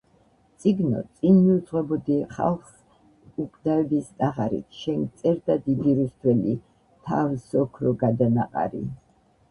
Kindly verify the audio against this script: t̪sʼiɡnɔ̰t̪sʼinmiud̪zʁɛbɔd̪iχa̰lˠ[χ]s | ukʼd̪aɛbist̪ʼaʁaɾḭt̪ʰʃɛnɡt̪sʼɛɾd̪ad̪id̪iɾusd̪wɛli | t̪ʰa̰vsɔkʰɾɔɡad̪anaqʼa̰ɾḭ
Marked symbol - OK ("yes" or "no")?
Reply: yes